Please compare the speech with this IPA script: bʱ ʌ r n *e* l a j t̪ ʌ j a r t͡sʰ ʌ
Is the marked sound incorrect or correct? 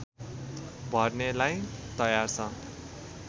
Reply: correct